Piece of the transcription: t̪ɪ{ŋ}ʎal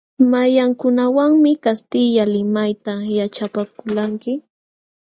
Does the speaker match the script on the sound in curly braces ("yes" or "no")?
no